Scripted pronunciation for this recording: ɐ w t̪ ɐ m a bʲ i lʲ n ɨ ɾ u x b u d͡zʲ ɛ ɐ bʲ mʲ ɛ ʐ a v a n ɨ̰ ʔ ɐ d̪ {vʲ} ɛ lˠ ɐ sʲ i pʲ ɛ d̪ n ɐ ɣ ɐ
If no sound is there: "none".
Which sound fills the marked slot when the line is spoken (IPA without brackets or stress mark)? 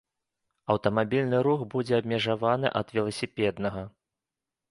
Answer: vʲ